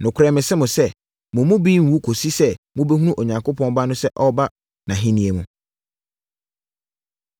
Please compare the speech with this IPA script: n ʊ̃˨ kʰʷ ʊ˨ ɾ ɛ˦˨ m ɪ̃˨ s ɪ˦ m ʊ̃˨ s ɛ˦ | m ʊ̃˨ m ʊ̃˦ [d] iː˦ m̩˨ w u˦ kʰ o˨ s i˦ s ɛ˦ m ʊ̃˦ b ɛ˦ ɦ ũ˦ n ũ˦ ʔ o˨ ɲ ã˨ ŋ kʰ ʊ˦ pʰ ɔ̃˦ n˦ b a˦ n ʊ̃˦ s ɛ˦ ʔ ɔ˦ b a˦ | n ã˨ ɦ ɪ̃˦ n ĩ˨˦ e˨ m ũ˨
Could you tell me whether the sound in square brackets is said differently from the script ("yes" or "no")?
yes